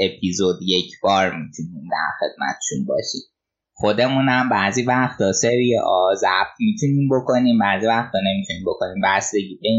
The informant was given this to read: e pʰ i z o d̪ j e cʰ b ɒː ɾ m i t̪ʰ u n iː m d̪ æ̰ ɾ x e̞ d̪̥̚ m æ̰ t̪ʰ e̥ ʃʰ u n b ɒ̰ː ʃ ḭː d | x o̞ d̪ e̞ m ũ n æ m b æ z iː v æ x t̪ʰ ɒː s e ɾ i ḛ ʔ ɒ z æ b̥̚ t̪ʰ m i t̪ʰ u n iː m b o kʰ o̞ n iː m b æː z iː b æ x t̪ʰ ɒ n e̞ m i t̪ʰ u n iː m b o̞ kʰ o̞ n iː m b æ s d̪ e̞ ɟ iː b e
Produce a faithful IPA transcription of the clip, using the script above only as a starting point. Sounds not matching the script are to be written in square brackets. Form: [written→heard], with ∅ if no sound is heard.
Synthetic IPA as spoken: e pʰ i z o d̪ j e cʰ b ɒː ɾ m i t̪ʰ u n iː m d̪ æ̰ ɾ x e̞ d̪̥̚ m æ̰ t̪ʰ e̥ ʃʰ u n b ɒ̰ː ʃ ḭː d | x o̞ d̪ e̞ m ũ n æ m b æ z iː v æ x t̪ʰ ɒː s e ɾ i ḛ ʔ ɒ z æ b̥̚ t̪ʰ m i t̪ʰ u n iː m b o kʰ o̞ n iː m b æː z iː [b→v] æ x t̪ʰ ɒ n e̞ m i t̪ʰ u n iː m b o̞ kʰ o̞ n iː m b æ s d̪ e̞ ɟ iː b e